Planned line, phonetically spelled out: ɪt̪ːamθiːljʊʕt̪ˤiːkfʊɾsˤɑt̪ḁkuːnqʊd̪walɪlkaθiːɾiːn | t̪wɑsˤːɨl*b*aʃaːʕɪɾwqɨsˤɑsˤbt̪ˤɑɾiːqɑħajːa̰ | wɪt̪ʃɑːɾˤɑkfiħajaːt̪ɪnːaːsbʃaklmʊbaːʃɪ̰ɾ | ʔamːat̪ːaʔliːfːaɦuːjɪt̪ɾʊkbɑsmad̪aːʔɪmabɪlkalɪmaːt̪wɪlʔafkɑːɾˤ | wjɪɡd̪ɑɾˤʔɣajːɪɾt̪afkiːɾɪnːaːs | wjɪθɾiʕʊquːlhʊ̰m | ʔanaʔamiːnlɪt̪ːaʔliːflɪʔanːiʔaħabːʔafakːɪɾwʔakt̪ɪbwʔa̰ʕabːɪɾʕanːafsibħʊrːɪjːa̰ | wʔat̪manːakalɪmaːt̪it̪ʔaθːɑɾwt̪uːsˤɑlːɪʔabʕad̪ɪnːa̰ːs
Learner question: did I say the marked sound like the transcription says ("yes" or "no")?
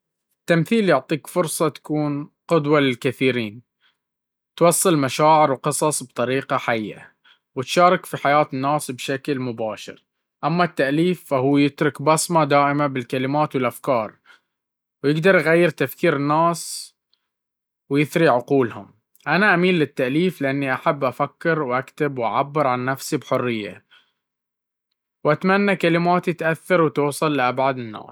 no